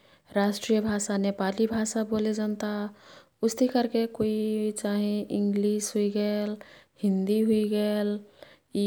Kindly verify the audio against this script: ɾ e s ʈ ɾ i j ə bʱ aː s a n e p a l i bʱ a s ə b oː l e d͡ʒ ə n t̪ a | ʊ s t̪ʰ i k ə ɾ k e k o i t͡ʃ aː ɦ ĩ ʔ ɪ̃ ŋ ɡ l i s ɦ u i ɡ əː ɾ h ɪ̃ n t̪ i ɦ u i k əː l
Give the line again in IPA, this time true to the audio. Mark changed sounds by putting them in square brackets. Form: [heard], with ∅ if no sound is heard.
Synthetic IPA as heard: ɾ [a] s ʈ ɾ i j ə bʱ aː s a n e p a l i bʱ a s [a] b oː l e d͡ʒ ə n t̪ a | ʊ s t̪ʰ i k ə ɾ k e k o i t͡ʃ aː ɦ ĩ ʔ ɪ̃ ŋ ɡ l i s ɦ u i ɡ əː [l] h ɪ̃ n [d̪] i ɦ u i [ɡ] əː l